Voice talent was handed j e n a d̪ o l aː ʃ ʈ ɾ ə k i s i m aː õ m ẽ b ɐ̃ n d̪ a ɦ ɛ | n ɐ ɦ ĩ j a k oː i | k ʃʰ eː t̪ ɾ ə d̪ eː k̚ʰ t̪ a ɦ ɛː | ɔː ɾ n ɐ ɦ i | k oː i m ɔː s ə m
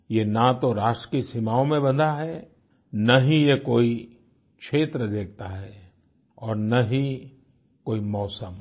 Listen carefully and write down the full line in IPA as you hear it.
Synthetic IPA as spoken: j e n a t̪ o ɾ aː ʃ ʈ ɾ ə k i s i m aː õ m ẽ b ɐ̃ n d̪ a ɦ ɛ | n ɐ ɦ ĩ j e k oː i | k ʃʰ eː t̪ ɾ ə d̪ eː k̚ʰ t̪ a ɦ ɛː | ɔː ɾ n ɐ ɦ i | k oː i m ɔː s ə m